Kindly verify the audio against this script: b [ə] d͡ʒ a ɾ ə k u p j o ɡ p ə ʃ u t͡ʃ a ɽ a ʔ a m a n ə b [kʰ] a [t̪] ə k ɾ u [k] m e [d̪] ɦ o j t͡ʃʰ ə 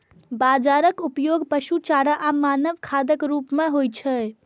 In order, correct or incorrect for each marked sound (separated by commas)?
incorrect, correct, incorrect, incorrect, incorrect